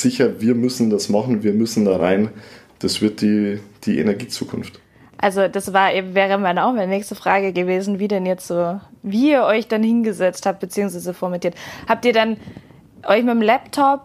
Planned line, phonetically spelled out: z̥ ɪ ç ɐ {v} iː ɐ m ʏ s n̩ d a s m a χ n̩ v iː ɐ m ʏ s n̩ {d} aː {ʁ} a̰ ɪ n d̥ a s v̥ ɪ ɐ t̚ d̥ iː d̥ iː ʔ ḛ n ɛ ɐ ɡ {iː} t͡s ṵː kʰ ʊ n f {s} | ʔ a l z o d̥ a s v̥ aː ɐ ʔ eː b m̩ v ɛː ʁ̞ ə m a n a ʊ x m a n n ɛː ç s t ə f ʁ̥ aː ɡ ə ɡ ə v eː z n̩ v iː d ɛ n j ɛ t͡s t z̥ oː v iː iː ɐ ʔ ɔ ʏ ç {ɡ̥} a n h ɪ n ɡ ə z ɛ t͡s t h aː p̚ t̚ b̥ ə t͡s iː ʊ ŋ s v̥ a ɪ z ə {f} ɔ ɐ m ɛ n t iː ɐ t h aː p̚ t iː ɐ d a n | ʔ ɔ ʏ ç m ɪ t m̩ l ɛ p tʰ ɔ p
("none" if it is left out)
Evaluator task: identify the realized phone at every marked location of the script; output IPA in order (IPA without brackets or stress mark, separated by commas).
v, d, ʁ, iː, t, d̥, f